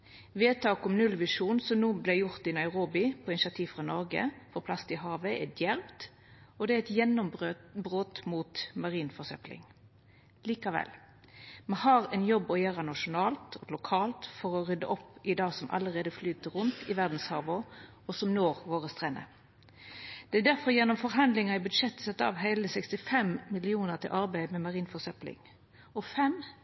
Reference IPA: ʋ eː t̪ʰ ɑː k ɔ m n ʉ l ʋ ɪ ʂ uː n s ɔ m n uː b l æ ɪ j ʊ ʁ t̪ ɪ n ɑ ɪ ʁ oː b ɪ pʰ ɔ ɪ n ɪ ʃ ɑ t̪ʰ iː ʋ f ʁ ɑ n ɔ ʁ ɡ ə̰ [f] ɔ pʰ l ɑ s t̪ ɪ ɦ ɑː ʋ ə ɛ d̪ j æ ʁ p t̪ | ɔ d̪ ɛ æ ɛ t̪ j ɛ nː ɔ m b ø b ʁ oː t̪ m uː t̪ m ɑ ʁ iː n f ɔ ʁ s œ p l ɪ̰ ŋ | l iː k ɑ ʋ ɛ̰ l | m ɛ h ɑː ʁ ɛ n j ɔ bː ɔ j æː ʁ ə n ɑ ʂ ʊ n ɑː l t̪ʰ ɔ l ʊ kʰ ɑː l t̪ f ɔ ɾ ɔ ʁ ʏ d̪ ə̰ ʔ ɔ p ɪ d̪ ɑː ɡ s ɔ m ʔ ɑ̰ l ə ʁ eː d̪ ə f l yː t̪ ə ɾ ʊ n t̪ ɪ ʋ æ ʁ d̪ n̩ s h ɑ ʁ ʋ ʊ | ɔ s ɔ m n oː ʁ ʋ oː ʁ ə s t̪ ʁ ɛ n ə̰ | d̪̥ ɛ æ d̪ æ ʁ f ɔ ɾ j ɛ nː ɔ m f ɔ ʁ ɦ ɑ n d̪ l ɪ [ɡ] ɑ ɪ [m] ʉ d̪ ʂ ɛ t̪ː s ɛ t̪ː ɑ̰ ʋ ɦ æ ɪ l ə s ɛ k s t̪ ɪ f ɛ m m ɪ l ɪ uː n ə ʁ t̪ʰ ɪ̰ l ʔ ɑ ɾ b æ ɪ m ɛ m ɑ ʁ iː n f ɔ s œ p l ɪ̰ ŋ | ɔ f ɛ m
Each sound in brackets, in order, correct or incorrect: correct, incorrect: ŋ, incorrect: b

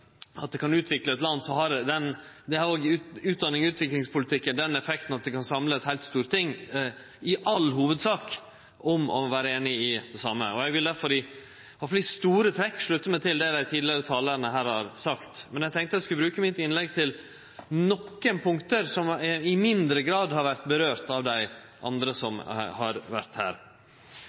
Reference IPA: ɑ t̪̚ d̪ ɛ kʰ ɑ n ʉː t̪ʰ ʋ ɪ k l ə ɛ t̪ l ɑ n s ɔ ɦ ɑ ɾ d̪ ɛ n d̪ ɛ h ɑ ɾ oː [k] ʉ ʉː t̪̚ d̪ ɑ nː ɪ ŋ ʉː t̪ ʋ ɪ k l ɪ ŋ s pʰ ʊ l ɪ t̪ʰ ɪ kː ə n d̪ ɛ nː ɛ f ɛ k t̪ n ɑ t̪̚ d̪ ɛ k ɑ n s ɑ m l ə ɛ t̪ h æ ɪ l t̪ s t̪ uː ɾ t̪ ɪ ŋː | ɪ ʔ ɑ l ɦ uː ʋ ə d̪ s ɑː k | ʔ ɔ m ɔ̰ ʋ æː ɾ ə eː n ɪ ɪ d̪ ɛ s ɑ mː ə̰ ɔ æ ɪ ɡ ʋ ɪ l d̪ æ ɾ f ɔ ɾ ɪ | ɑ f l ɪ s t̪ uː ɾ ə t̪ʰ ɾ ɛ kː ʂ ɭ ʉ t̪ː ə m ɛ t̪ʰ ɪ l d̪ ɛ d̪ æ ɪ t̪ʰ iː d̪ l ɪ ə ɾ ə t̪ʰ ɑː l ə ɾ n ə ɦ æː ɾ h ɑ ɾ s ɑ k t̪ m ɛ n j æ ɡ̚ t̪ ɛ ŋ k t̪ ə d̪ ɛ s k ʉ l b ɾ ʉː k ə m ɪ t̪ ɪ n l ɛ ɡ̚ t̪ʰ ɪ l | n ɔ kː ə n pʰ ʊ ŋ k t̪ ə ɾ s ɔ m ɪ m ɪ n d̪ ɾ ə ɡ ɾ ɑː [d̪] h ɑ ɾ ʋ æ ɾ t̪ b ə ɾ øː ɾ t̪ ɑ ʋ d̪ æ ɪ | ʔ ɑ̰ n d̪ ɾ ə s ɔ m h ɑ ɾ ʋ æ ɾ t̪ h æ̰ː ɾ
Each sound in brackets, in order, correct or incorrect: incorrect: ɡ, correct

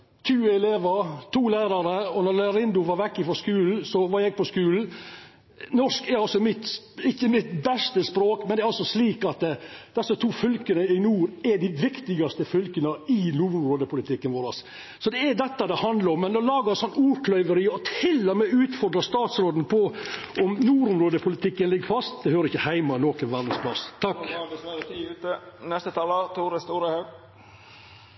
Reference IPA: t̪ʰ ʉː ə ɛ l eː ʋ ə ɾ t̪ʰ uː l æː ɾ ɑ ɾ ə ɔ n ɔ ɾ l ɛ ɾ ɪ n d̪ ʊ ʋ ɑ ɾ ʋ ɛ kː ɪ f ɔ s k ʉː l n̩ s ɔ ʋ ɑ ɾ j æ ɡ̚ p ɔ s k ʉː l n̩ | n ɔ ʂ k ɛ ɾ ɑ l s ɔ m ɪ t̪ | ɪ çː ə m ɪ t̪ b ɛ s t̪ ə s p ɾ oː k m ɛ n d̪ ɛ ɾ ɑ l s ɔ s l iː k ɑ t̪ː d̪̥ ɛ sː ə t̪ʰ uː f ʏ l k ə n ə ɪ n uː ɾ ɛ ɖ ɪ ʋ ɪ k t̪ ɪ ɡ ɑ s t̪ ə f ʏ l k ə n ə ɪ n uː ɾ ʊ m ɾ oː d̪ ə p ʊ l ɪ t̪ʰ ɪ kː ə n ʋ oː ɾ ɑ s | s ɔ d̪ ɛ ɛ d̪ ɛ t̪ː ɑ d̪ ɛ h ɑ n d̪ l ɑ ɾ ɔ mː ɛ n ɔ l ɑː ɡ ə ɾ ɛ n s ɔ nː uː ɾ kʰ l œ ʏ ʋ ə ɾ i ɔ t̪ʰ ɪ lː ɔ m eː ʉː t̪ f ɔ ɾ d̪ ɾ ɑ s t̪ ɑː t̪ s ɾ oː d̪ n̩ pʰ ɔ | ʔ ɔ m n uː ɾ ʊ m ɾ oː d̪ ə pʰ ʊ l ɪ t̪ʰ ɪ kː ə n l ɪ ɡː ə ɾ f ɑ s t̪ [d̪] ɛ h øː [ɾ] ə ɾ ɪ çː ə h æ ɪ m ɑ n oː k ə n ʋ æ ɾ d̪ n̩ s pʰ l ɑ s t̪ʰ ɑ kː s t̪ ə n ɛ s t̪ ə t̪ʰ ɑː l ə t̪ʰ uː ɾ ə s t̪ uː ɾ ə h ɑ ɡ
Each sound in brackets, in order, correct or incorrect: correct, correct

